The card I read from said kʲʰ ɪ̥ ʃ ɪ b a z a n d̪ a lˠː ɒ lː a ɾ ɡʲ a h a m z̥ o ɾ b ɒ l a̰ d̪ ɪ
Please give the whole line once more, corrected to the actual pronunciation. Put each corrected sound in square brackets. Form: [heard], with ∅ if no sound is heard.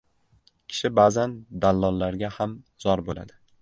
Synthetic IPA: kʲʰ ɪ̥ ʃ ɪ b a z a n d̪ a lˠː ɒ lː a ɾ ɡʲ a h a m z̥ [ɒ] ɾ b [o] l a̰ d̪ ɪ